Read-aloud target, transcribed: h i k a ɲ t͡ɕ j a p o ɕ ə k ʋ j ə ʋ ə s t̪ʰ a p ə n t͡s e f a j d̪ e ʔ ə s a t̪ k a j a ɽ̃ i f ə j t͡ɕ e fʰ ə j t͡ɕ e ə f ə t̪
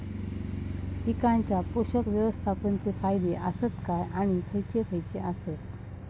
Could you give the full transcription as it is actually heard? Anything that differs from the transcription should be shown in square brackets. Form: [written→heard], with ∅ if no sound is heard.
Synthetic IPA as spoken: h i k a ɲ t͡ɕ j a p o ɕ ə k ʋ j ə ʋ ə s t̪ʰ a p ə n t͡s e f a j d̪ e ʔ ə s [a→ə] t̪ k a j a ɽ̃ i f ə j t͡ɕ e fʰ ə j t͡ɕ e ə [f→s] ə t̪